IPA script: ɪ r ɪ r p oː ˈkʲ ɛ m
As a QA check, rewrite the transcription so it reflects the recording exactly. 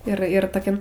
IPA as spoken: ɪ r ɪ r t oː ˈkʲ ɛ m